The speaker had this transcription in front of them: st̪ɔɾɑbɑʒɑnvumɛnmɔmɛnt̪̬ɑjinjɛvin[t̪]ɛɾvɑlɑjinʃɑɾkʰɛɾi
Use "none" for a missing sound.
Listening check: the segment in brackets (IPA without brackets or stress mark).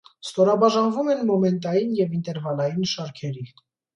t̪